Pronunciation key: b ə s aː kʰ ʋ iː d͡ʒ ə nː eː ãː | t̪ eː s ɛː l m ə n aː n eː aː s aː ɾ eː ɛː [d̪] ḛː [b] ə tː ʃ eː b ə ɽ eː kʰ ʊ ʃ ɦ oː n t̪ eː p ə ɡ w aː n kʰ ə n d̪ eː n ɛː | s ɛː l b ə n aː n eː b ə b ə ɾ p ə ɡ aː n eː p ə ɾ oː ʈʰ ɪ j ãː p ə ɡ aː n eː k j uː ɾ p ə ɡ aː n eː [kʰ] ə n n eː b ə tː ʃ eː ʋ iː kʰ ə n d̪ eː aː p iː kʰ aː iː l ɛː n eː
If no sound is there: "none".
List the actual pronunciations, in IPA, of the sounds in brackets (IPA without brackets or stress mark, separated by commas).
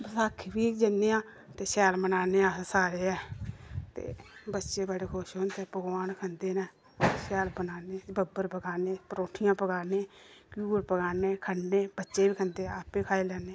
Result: t̪, b, kʰ